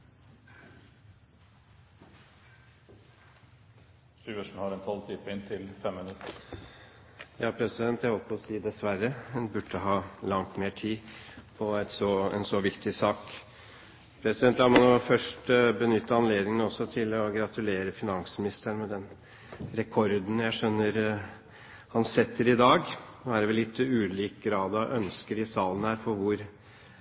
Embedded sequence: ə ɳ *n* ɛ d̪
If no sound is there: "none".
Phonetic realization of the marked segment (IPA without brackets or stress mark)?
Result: m